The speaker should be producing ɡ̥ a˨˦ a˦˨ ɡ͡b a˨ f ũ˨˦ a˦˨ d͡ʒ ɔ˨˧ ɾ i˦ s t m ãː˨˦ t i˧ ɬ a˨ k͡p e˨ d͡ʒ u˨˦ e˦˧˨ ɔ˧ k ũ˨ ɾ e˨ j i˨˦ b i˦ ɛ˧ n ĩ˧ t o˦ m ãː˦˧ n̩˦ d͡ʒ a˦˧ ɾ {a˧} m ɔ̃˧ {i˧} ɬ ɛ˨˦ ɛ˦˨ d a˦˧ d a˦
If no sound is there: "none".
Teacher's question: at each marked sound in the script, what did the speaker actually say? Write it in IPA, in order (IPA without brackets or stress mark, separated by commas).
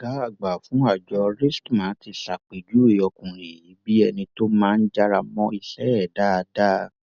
a˧, i˧